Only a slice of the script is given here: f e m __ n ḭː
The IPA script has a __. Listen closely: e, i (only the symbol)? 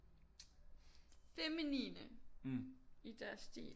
i